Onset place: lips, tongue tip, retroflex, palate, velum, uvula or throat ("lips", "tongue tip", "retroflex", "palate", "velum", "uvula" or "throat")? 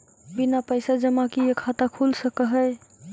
lips